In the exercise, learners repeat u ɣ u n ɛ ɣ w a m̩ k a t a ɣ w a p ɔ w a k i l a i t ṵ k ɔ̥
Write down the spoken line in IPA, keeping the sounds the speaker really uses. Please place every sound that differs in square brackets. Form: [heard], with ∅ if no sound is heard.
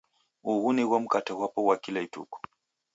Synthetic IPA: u ɣ u n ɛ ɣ w a m̩ k a t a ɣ w a p ɔ w a k i l a i t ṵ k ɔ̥

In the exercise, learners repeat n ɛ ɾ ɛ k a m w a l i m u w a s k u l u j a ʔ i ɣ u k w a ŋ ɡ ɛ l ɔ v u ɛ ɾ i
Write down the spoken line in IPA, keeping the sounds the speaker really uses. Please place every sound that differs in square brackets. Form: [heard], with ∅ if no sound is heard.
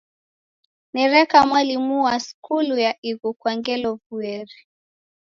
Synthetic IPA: n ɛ ɾ ɛ k a m w a l i m u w a s k u l u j a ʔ i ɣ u k w a ŋ ɡ ɛ l ɔ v u ɛ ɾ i

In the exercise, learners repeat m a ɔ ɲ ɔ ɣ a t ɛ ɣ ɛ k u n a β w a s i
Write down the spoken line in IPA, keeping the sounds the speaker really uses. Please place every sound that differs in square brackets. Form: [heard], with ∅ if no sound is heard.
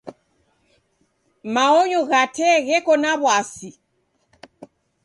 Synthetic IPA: m a ɔ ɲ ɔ ɣ a t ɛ ɣ ɛ k [ɔ] n a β w a s i

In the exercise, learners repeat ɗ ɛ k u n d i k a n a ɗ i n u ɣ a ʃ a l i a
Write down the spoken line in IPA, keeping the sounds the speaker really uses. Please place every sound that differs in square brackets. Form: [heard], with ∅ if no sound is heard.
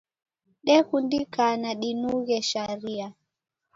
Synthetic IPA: ɗ ɛ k u n d i k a n a ɗ i n u ɣ [ɛ] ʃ a [ɾ] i a

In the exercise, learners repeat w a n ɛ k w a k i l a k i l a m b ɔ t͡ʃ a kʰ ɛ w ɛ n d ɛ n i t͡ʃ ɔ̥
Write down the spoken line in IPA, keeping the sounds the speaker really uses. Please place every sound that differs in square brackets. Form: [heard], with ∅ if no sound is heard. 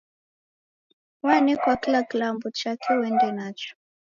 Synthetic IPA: w a n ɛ k w a k i l a k i l a m b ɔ t͡ʃ a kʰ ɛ w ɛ n d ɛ n [a] t͡ʃ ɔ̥

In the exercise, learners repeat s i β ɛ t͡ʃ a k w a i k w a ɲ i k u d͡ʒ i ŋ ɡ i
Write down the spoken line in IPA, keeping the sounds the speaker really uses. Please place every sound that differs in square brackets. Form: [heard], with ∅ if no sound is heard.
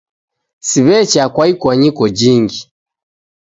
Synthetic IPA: s i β ɛ t͡ʃ a k w a i k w a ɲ i k [ɔ] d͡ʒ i ŋ ɡ i

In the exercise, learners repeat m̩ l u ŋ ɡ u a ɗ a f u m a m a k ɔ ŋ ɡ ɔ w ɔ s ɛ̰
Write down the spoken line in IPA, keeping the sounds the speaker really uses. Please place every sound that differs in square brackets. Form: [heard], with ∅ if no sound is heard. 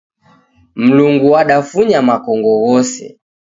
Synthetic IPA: m̩ l u ŋ ɡ u a ɗ a f u [ɲ] a m a k ɔ ŋ ɡ ɔ [ɣ] ɔ s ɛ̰

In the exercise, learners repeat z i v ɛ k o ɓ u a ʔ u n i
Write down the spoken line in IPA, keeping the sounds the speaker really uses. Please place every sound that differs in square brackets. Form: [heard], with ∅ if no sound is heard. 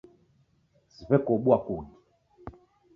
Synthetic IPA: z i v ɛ k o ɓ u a [k] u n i

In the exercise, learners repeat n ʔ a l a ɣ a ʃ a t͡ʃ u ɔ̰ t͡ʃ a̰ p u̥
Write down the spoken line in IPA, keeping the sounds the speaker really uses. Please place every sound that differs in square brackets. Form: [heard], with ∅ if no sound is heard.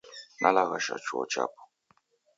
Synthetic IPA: n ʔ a l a ɣ a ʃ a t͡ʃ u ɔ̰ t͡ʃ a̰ p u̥

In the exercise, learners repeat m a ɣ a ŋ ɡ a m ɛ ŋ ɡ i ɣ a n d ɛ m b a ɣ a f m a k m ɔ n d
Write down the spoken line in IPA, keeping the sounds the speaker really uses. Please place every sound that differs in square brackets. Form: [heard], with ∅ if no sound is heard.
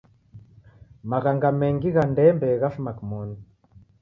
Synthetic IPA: m a ɣ a ŋ ɡ a m ɛ ŋ ɡ i ɣ a n d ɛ m b [ɛ] ɣ a f m a k m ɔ n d

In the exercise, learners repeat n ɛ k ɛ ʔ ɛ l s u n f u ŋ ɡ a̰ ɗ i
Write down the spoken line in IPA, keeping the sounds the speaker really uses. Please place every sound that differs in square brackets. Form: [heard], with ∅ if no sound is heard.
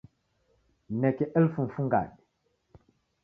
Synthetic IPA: n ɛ k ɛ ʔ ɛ l [f] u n f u ŋ ɡ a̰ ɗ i

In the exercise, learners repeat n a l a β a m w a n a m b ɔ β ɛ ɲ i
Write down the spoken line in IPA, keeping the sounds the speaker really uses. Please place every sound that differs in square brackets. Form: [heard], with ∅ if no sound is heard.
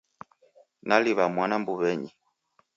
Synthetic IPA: n a l [i] β a m w a n a m b [u] β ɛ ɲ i

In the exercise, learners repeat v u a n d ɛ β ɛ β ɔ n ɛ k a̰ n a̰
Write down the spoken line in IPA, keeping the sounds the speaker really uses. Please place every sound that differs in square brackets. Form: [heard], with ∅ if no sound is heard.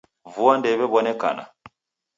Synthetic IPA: v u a n d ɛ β ɛ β ɔ n ɛ k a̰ n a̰

